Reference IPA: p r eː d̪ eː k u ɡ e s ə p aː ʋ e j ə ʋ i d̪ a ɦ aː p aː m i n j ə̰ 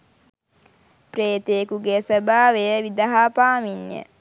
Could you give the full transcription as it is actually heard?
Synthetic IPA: p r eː t̪ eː k u ɡ e s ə b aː ʋ e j ə ʋ i d̪ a ɦ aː p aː m i n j ə̰